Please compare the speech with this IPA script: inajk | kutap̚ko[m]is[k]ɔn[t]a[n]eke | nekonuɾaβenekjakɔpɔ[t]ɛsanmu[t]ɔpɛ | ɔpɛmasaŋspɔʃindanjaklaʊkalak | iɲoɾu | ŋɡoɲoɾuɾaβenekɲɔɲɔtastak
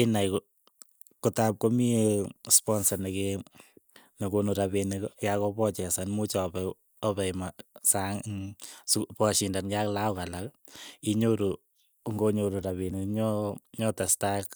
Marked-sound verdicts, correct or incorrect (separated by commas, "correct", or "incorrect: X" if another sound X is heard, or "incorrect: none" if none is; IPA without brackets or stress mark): correct, incorrect: p, incorrect: s, correct, incorrect: t͡ʃ, incorrect: t͡ʃ